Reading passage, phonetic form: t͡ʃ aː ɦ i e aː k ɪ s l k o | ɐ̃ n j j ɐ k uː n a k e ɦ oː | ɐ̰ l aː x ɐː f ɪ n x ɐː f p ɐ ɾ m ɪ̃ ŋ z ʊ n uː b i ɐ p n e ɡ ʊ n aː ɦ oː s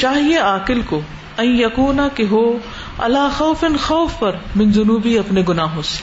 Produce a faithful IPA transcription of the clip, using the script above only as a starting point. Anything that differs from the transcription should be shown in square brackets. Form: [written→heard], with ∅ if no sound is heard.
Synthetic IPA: t͡ʃ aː ɦ i e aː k ɪ [s→∅] l k o | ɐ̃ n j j ɐ k uː n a k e ɦ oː | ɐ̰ l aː x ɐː f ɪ n x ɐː f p ɐ ɾ m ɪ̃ [ŋ→n] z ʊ n uː b i ɐ p n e ɡ ʊ n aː ɦ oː s